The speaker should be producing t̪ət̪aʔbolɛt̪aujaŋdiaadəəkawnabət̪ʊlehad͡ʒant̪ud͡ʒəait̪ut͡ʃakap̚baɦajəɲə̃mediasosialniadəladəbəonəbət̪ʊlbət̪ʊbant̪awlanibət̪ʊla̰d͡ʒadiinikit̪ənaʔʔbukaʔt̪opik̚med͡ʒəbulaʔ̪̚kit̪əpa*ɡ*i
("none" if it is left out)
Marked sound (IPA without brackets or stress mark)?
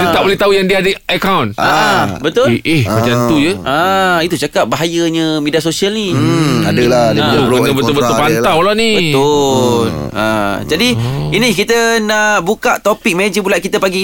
ɡ